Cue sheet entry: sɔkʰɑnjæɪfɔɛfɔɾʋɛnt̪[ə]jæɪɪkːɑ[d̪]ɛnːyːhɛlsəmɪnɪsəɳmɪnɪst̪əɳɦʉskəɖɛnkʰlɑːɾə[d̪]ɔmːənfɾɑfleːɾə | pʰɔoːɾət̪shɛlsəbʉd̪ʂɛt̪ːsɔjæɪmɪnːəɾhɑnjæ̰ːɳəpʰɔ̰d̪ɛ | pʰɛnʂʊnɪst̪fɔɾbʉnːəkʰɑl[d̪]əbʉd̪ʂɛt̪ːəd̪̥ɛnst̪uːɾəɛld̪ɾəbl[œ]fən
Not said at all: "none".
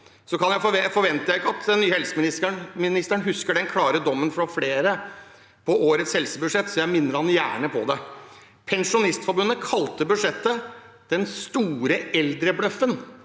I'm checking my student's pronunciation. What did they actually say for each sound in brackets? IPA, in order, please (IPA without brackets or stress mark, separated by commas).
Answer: ə, t̪, d̪, t̪, œ